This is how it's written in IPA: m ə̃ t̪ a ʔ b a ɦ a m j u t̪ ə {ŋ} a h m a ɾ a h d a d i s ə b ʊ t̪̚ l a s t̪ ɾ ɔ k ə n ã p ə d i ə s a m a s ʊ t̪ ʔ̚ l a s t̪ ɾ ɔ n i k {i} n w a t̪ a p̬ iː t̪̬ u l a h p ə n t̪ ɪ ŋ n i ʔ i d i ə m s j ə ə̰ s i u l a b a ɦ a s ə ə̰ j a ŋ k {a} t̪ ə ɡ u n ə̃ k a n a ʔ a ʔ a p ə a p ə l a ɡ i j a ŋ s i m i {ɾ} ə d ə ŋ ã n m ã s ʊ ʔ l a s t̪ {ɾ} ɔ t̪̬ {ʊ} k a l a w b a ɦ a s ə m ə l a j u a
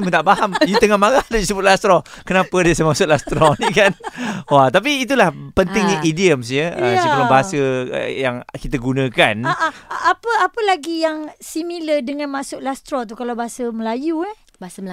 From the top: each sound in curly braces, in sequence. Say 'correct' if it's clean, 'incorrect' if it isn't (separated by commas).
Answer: correct, incorrect, incorrect, incorrect, correct, incorrect